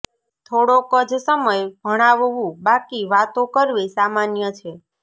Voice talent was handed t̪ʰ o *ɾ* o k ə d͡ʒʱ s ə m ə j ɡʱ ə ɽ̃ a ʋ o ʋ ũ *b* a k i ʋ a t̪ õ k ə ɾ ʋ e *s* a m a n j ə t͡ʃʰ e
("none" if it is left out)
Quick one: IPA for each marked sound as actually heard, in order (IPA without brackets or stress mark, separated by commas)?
ɽ, b, s